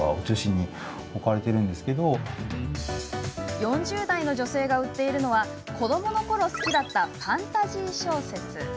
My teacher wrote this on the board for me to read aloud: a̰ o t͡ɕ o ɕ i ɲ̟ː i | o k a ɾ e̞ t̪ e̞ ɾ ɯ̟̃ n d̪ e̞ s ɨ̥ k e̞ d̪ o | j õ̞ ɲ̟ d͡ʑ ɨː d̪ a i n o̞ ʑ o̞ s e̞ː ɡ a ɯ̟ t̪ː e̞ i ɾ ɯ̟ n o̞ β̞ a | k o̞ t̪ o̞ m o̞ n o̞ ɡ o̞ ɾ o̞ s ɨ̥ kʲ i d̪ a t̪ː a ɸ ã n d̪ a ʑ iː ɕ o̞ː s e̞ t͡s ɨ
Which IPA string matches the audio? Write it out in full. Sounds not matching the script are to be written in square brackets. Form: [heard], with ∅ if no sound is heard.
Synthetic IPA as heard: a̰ o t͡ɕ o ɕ i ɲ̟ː i | o k a ɾ e̞ t̪ e̞ ɾ ɯ̟̃ n d̪ e̞ s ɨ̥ k e̞ d̪ o | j õ̞ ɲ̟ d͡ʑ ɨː d̪ a i n o̞ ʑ o̞ s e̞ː ɡ a ɯ̟ t̪ː e̞ i ɾ ɯ̟ n o̞ β̞ a | k o̞ [d̪] o̞ m o̞ n o̞ [k] o̞ ɾ o̞ s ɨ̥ kʲ i d̪ a t̪ː a ɸ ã n [t̪] a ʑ iː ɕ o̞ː s e̞ t͡s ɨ